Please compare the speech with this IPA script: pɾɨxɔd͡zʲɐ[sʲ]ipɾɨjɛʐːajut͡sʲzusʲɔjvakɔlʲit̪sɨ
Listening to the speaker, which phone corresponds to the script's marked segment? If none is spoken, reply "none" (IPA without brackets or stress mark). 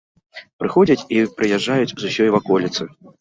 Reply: t͡sʲ